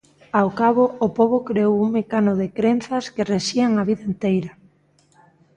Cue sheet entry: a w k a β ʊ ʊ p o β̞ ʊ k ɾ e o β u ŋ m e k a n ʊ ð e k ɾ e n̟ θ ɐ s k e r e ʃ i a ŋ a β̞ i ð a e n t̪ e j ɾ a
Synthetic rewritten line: a w k a β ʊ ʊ p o β̞ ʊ k ɾ e o w u ŋ m e k a n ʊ ð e k ɾ e n̟ θ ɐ s k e r e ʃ i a ŋ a β̞ i ð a e n t̪ e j ɾ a